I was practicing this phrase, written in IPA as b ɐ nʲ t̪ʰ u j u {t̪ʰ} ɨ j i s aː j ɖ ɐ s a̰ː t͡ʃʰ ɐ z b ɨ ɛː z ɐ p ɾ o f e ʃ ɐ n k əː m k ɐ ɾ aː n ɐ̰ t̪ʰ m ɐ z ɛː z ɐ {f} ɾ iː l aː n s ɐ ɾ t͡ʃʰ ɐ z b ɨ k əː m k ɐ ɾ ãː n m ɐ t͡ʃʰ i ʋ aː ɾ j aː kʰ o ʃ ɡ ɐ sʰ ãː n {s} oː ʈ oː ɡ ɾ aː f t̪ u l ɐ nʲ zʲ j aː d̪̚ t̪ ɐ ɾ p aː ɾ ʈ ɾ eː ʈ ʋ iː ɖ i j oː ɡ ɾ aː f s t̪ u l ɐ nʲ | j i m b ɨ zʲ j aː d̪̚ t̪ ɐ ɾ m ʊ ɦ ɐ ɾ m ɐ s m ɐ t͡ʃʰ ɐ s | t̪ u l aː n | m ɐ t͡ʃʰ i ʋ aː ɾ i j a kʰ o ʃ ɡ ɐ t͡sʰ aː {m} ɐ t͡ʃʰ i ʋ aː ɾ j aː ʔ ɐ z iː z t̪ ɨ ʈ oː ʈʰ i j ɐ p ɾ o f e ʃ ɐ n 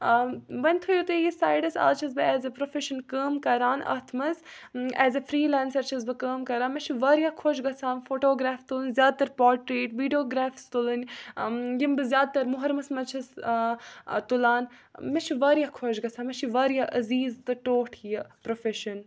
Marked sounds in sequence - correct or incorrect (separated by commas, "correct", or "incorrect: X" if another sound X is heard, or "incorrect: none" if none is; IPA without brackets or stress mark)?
incorrect: t̪, correct, incorrect: f, correct